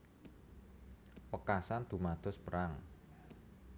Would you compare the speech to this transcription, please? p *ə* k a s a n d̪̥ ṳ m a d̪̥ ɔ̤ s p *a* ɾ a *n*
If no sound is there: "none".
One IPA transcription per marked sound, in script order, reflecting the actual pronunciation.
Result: ə, ə, ŋ

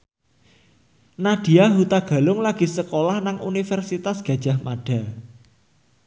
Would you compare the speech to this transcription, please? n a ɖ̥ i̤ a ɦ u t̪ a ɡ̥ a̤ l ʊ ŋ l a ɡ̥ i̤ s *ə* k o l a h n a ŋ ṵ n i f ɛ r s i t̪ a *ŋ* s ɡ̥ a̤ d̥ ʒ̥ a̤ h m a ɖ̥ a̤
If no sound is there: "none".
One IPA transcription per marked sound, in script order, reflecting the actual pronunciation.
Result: ə, none

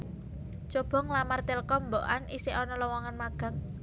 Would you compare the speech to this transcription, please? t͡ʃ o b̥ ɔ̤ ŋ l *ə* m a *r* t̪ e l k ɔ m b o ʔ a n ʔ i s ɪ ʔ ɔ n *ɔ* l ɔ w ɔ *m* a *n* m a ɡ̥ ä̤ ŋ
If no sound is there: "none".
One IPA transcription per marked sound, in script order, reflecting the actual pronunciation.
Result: a, r, ɔ, ŋ, n

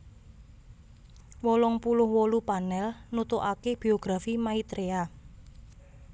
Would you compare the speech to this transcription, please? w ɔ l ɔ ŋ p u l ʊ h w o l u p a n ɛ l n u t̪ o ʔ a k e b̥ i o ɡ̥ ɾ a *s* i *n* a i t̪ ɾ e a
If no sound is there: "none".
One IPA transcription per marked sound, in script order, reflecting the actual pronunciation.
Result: f, m

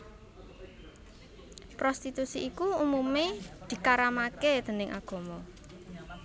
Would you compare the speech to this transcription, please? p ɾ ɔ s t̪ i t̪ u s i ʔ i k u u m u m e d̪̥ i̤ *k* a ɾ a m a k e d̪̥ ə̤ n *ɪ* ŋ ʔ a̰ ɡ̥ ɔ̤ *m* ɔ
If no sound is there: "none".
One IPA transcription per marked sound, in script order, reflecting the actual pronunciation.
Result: k, ɪ, m

